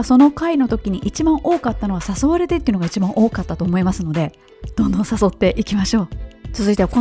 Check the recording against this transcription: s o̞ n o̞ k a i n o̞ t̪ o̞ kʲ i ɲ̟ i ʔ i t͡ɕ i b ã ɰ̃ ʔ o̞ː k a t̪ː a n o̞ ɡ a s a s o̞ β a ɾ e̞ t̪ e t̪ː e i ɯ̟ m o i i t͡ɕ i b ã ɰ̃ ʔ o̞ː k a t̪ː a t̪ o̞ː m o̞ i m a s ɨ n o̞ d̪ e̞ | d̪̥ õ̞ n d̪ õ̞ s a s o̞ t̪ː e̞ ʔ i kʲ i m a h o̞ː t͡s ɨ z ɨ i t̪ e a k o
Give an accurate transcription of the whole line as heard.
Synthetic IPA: s o̞ n o̞ k a i n o̞ t̪ o̞ kʲ i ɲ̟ i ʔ i t͡ɕ i b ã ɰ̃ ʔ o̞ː k a t̪ː a n o̞ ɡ a s a s o̞ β a ɾ e̞ t̪ e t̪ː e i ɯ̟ n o a i t͡ɕ i b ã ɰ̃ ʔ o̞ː k a t̪ː a t̪ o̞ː m o̞ i m a s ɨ n o̞ d̪ e̞ | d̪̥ õ̞ n d̪ õ̞ s a s o̞ t̪ː e̞ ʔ i kʲ i m a ɕ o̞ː t͡s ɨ z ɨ i t̪ e a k o